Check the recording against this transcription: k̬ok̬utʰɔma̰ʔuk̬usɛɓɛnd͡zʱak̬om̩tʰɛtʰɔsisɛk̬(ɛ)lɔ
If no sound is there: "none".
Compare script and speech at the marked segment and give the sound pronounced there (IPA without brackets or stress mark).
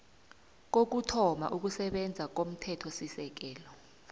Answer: ɛː